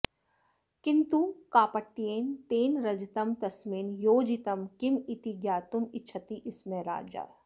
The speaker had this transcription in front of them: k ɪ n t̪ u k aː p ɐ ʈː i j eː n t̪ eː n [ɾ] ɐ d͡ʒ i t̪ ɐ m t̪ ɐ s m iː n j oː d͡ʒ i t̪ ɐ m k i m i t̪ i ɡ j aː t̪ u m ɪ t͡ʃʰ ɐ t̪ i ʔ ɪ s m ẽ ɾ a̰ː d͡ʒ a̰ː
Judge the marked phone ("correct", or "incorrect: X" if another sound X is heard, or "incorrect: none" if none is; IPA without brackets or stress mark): correct